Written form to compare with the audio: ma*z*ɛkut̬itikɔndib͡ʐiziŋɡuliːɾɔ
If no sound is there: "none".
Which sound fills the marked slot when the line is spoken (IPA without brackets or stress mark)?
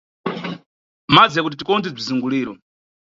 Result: d͡z